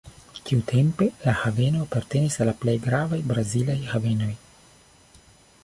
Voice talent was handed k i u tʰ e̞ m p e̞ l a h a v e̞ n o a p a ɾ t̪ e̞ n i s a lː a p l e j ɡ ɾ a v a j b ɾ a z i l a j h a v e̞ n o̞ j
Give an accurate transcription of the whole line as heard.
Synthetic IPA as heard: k i u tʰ e̞ m p e̞ l a h a v e̞ n o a p a ɾ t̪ e̞ n i s a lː a p l e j ɡ ɾ a v a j b ɾ a z i l a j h a v e̞ n o̞ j